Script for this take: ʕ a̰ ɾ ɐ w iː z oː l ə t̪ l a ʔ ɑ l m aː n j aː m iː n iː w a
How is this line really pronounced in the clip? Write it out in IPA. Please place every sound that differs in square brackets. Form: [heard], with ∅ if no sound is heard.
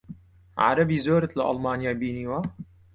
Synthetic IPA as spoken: ʕ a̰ ɾ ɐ [b] iː z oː [ɾ] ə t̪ l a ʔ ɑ l m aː n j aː [b] iː n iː w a